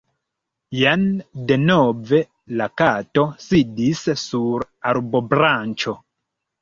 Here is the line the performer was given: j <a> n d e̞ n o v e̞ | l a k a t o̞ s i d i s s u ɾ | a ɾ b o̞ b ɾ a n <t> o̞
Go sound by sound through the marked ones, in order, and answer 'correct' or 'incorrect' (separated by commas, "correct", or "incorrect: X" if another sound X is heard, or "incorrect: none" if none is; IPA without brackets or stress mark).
correct, incorrect: t͡ʃ